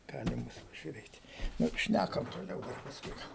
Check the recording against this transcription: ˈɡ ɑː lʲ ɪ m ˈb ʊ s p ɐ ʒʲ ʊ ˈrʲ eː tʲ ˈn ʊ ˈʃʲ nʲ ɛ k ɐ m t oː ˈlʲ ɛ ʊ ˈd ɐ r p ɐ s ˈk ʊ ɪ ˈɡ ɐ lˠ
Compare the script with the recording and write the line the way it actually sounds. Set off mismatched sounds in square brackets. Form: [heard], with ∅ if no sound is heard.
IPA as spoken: ˈɡ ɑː lʲ ɪ m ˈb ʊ s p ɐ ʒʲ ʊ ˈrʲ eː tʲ ˈn ʊ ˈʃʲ nʲ [æ] k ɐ m t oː ˈlʲ ɛ ʊ ˈd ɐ r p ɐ s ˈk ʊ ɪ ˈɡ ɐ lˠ